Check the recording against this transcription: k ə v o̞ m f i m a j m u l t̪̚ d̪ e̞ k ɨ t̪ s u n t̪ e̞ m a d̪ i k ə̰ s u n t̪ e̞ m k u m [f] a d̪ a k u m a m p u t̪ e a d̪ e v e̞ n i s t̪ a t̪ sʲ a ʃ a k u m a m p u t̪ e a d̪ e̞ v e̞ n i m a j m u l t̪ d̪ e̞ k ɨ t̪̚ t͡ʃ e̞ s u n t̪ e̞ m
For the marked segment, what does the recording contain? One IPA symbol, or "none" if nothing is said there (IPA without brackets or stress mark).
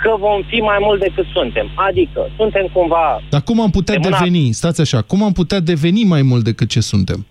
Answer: v